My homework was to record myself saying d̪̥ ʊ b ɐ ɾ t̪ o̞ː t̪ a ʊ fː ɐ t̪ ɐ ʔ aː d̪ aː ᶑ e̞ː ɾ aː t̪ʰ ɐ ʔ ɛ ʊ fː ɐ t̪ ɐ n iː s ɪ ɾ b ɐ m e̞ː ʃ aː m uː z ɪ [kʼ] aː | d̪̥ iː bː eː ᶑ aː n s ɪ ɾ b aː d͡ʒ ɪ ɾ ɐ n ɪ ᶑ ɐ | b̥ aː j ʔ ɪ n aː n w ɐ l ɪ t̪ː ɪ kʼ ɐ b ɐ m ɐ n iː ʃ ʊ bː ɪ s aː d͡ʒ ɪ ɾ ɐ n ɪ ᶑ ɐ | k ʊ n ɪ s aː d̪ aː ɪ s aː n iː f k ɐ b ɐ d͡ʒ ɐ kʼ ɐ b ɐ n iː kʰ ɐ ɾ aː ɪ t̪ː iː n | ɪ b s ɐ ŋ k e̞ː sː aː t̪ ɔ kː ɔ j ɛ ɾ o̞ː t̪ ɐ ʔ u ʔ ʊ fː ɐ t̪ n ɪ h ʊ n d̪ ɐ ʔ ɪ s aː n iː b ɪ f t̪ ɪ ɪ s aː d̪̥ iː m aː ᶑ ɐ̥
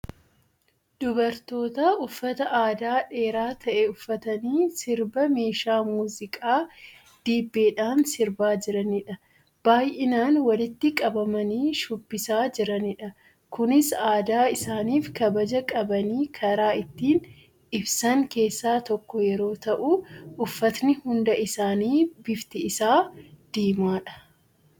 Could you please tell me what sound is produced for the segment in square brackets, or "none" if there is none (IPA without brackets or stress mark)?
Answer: kʼ